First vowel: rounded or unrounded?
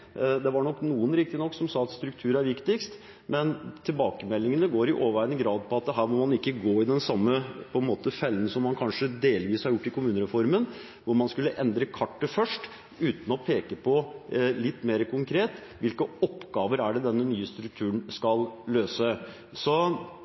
unrounded